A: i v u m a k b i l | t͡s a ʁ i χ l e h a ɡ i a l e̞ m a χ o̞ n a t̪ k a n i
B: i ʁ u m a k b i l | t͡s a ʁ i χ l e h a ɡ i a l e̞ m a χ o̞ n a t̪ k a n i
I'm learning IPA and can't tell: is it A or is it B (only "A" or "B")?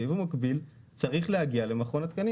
A